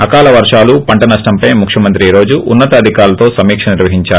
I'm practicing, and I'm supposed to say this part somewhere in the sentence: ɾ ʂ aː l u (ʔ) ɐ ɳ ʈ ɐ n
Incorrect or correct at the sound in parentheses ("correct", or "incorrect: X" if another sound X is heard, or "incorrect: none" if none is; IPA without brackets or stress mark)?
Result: incorrect: p